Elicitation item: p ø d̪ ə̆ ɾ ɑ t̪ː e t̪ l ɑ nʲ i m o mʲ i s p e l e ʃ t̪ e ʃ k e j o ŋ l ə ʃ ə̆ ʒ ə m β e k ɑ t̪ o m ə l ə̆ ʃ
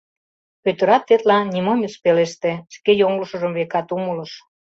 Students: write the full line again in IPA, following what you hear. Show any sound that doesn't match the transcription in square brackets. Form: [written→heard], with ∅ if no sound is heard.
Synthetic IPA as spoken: p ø [d̪→t̪] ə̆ ɾ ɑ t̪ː e t̪ l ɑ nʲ i m o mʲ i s p e l e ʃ t̪ e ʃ k e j o ŋ l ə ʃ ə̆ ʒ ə m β e k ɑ t̪ [o→u] m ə l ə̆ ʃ